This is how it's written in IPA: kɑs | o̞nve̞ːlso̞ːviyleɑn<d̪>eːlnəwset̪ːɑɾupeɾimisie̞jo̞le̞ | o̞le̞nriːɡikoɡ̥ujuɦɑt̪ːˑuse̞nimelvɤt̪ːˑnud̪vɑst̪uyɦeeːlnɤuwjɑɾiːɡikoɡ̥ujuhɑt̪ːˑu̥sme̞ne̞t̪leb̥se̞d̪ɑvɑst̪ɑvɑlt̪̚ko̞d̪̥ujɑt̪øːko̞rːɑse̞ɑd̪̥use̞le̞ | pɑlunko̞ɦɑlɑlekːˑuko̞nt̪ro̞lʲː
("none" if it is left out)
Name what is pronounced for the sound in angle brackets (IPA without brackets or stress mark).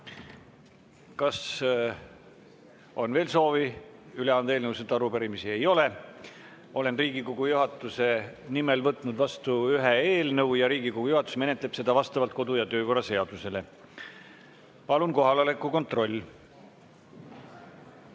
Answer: d̪